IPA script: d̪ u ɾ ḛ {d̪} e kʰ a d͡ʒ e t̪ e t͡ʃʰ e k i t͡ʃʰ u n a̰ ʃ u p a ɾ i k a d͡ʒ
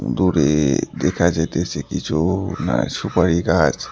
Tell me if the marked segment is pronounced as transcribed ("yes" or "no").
yes